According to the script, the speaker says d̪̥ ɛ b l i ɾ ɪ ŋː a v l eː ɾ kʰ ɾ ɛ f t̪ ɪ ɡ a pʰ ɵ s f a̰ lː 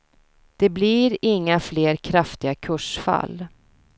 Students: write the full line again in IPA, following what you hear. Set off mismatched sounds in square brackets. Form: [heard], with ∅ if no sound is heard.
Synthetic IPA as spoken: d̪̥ ɛ b l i ɾ ɪ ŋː a [f] l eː ɾ kʰ ɾ [a] f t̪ ɪ ɡ a [kʰ] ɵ [ʂ] f a̰ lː